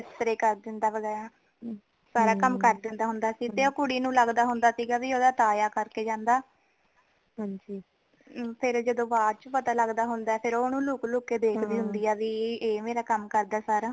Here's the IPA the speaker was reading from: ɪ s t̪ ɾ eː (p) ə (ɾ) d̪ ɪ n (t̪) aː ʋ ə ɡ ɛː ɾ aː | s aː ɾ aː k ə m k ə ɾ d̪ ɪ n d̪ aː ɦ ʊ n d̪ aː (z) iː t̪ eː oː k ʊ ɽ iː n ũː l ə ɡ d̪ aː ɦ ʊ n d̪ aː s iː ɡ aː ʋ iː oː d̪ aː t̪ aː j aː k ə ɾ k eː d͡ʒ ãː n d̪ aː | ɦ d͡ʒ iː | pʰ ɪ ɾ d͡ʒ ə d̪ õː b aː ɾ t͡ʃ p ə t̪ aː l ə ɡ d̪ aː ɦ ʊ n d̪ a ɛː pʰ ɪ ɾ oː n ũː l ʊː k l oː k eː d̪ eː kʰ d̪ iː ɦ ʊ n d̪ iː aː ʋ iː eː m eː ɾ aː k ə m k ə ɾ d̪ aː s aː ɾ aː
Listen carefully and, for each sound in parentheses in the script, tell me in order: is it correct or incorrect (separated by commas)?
incorrect, correct, incorrect, incorrect